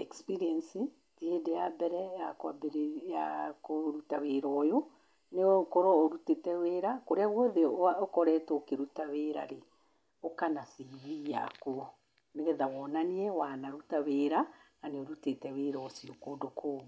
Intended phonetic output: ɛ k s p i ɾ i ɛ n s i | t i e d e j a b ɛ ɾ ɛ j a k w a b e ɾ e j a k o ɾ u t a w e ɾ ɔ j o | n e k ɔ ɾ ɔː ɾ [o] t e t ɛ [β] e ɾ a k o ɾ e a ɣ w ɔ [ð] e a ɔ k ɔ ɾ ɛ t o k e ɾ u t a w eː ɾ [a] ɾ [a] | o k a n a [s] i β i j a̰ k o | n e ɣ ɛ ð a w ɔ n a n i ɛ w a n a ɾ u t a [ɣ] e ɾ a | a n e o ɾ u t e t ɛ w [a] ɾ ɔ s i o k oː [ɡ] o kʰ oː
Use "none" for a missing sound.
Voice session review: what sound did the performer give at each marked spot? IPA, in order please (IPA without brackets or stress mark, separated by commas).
u, w, ð, a, e, s, w, e, d